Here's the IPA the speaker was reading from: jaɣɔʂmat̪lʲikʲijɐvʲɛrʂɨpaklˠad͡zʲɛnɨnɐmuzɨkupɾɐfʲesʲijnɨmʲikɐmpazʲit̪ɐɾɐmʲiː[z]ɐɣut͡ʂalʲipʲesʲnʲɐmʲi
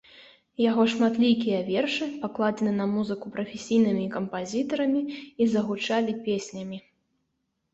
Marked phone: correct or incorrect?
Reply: correct